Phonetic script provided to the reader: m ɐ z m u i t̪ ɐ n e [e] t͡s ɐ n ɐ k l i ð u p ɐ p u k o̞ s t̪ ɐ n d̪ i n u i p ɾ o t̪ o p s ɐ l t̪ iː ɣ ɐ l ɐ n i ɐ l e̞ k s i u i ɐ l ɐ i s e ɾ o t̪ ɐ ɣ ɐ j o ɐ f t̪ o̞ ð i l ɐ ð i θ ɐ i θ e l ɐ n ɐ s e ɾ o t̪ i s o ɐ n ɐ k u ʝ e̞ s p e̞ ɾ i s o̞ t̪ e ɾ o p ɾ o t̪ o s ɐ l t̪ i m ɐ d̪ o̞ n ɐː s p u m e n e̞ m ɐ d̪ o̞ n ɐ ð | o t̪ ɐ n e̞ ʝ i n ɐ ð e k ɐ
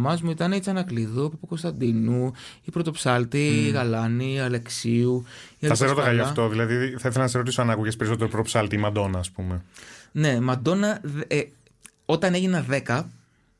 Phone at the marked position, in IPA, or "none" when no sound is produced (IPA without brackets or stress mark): i